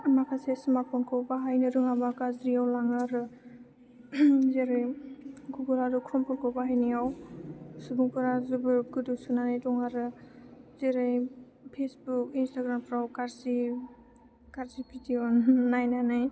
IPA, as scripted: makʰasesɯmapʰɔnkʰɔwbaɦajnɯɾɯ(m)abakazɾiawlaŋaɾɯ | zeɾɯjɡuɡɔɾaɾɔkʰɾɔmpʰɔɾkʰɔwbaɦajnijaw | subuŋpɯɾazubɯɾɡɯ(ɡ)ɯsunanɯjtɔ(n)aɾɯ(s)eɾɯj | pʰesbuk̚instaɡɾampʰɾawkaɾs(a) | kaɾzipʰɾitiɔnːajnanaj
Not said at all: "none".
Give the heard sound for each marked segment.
ŋ, d, ŋ, z, i

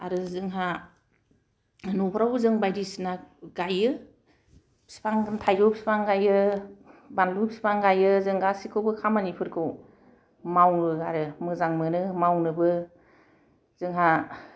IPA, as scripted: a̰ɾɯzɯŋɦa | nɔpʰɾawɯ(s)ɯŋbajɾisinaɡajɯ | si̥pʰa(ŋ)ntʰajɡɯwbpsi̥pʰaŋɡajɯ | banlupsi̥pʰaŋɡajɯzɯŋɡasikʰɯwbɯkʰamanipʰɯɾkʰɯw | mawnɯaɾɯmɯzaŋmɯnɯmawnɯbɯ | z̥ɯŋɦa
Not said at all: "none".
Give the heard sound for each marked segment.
z, ŋ

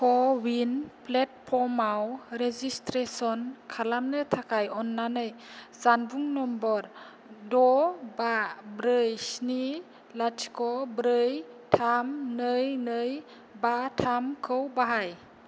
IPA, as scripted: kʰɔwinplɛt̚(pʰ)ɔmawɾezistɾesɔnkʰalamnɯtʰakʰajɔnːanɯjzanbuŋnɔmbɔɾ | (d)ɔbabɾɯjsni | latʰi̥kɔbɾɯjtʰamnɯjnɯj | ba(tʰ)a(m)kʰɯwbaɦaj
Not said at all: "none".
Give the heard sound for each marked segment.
pʰ, d, tʰ, m

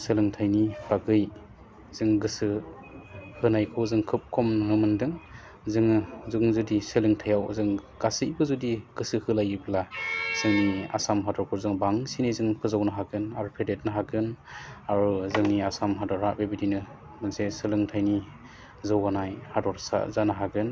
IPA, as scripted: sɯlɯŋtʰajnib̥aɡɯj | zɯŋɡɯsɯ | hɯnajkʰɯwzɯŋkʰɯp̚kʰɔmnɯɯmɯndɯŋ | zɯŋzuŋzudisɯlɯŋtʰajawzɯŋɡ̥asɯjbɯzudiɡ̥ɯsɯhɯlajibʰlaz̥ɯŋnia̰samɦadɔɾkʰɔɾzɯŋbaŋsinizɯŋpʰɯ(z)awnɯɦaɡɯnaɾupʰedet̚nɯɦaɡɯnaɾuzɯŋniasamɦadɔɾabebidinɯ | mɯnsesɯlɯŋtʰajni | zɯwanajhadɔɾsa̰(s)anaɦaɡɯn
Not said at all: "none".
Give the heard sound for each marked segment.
z, z

